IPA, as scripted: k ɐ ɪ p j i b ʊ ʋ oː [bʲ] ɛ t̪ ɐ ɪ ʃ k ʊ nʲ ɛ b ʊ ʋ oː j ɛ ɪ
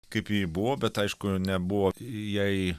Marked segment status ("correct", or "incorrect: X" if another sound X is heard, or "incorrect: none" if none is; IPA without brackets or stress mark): correct